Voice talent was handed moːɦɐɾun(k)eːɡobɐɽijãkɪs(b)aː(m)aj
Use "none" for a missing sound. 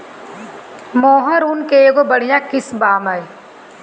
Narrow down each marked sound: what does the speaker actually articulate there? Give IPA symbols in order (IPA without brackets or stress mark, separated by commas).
k, b, m